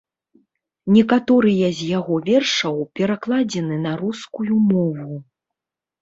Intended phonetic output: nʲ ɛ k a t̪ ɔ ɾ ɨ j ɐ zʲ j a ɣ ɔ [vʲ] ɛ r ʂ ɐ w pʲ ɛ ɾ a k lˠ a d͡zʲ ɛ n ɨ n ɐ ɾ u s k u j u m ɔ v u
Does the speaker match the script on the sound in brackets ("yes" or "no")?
yes